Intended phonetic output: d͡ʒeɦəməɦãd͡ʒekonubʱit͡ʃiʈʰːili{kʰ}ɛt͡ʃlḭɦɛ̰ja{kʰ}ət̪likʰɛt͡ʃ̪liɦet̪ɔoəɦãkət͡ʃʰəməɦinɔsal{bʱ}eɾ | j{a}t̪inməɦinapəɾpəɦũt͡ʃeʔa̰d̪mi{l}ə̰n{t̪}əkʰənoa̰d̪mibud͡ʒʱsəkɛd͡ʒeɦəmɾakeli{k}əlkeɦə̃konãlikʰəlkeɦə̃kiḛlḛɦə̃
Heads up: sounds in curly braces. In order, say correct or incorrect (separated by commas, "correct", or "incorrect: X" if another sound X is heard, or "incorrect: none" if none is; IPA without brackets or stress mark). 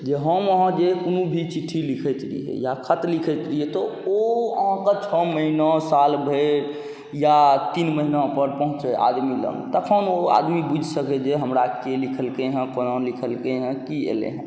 correct, correct, correct, correct, correct, correct, incorrect: kʰ